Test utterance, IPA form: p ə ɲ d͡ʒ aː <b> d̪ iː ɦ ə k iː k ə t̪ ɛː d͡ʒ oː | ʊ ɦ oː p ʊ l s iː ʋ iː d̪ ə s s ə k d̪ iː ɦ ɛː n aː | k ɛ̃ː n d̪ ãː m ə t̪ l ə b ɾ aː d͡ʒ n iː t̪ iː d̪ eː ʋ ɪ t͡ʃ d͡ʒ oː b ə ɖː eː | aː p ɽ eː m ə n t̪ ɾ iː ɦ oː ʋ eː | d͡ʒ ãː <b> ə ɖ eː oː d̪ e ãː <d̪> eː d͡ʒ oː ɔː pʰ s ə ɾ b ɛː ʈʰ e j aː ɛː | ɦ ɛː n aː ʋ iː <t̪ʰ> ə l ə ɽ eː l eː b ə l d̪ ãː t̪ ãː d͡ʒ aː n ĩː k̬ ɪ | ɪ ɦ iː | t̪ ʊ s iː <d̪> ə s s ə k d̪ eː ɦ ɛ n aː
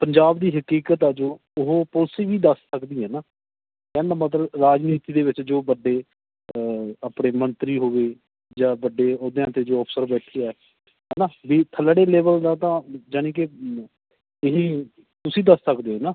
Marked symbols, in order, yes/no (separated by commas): yes, yes, no, yes, yes